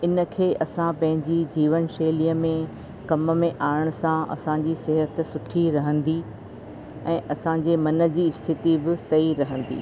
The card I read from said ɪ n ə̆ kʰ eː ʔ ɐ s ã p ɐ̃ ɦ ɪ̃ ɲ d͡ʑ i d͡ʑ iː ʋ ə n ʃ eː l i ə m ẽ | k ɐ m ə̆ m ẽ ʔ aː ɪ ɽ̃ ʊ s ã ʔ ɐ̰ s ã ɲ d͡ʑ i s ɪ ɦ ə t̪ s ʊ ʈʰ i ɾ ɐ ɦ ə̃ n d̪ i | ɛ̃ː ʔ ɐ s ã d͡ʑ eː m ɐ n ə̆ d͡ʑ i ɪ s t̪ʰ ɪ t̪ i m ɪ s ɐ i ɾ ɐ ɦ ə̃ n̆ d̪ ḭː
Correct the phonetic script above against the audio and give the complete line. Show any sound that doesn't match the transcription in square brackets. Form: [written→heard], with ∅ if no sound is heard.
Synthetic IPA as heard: ɪ n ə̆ kʰ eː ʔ ɐ s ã p ɐ̃ ɦ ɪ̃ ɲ d͡ʑ i d͡ʑ iː ʋ ə n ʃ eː l i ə m ẽ | k ɐ m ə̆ m ẽ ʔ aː ɪ ɽ̃ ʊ s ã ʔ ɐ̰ s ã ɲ d͡ʑ i s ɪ ɦ ə t̪ s ʊ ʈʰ i ɾ ɐ ɦ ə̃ n d̪ i | ɛ̃ː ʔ ɐ s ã d͡ʑ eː m ɐ n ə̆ d͡ʑ i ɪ s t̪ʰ ɪ t̪ i [m→b] ɪ s ɐ i ɾ ɐ ɦ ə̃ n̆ d̪ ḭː